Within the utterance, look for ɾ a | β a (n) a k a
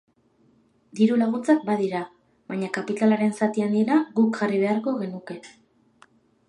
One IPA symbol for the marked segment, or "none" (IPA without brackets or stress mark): ɲ